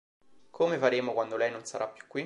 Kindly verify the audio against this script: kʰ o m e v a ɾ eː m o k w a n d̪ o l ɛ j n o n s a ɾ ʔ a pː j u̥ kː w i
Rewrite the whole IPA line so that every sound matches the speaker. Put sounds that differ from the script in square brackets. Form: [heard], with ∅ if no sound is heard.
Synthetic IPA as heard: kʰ o m e [f] a ɾ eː m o k w a n d̪ o l ɛ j n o n s a ɾ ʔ a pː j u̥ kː w i